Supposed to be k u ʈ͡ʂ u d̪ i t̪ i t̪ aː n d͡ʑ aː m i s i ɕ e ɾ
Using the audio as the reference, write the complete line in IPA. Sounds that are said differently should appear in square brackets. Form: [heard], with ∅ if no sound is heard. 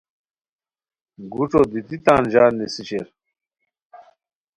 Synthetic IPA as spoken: [ɡ] u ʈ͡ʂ [o] d̪ i t̪ i t̪ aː n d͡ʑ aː [n] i s i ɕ e ɾ